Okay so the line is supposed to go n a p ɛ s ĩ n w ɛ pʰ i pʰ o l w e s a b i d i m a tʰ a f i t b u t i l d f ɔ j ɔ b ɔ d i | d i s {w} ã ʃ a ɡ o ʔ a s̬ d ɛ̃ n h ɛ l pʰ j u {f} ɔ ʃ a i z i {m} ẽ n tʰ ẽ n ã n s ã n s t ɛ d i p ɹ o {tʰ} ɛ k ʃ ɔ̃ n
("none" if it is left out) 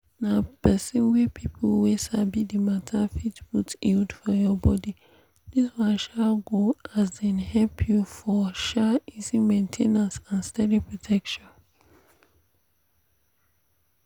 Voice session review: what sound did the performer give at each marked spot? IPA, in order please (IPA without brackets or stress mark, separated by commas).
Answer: w, f, m, tʰ